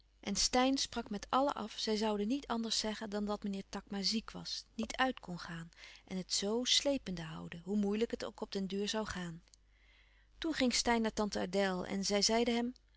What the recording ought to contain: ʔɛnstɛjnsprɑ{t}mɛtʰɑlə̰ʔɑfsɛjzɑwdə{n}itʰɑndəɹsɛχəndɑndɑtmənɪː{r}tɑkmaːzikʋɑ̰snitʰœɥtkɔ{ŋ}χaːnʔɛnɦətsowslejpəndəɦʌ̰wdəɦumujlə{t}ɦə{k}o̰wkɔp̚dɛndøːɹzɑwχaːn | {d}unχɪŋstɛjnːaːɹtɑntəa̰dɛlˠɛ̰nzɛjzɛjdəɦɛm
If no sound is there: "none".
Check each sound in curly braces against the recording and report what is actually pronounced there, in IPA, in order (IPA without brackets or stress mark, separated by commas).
k, n, ɹ, n, k, t, t